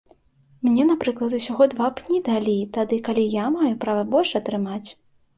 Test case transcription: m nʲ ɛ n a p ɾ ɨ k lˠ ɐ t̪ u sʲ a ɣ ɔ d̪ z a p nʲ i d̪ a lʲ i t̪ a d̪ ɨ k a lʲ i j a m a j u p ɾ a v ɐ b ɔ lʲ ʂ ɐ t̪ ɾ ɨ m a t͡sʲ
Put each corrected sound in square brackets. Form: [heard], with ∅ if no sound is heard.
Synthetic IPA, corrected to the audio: m nʲ ɛ n a p ɾ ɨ k lˠ ɐ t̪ u sʲ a ɣ ɔ d̪ [v] a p nʲ i d̪ a lʲ i t̪ a d̪ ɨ k a lʲ i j a m a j u p ɾ a v ɐ b ɔ lʲ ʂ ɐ t̪ ɾ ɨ m a t͡sʲ